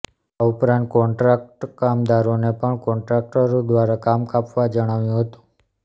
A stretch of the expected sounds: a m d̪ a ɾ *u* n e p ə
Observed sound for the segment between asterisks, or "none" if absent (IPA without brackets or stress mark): o